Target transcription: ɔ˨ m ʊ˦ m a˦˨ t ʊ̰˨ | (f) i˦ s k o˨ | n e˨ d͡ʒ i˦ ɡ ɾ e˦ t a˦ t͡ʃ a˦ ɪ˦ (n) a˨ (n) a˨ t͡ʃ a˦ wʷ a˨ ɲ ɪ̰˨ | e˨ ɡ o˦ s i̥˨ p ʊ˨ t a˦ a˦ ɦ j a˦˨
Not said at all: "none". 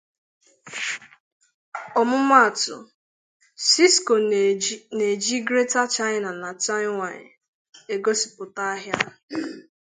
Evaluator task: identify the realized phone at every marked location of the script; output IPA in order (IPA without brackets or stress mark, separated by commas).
s, n, n